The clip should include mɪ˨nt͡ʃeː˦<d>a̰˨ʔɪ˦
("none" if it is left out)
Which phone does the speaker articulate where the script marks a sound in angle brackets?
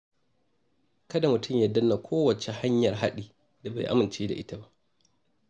d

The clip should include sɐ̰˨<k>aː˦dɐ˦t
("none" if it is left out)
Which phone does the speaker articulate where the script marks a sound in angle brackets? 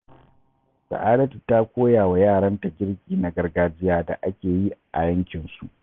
ʔ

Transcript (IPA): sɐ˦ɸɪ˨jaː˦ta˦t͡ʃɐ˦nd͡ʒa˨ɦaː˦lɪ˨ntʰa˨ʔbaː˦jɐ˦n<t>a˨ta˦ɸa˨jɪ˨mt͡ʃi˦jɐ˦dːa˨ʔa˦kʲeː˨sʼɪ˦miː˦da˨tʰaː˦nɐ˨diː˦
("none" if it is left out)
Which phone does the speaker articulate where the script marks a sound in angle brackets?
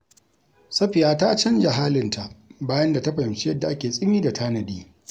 d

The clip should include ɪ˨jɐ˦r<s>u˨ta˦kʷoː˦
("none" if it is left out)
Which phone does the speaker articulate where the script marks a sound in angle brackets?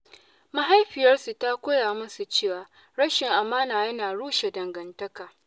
s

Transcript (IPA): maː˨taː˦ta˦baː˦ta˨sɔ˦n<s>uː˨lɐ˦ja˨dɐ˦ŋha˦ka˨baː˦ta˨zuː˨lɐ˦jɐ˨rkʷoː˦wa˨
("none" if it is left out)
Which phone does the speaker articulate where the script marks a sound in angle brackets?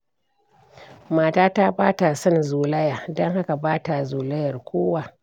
z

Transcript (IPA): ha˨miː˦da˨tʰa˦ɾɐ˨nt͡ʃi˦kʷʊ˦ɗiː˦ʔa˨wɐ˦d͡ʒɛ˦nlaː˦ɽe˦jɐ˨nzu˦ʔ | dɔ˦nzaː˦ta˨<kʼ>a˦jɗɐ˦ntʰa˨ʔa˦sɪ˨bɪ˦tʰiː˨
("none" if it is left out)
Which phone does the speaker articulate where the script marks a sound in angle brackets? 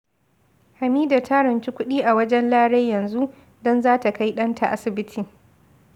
k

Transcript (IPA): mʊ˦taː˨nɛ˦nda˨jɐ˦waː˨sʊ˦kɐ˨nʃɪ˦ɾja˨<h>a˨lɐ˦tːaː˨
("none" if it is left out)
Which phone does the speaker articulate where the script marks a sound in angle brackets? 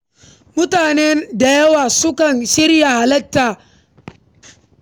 h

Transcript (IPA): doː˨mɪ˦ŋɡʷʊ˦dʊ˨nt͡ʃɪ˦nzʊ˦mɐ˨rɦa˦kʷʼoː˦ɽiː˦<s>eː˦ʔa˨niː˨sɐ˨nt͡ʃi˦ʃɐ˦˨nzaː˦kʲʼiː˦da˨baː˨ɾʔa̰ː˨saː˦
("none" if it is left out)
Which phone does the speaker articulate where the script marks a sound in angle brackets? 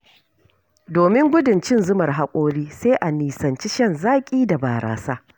s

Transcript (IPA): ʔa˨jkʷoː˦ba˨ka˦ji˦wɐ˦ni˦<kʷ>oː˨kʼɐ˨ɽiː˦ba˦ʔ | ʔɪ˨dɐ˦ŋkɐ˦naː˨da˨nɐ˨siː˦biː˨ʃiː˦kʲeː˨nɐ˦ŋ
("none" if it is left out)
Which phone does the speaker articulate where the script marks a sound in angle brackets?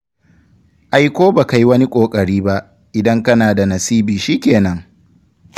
kʷʼ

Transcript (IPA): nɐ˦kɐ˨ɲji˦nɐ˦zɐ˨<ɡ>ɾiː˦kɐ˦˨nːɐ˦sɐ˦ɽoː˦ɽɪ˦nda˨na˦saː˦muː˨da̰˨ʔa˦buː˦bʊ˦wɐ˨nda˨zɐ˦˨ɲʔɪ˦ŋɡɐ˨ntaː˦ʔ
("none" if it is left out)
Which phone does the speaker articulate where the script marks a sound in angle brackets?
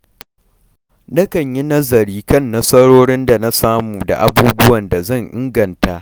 none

